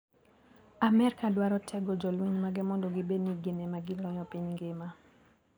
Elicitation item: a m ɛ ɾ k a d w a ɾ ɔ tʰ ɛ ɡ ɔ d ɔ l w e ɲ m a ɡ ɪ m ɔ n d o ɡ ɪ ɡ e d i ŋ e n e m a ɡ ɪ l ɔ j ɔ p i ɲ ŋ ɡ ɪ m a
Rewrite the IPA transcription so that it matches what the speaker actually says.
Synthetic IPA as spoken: a m ɛ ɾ k a d w a ɾ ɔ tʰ ɛ ɡ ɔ d͡ʒ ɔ l w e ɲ m a ɡ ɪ m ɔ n d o ɡ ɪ b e n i ɡ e n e m a ɡ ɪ l ɔ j ɔ p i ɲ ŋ ɡ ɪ m a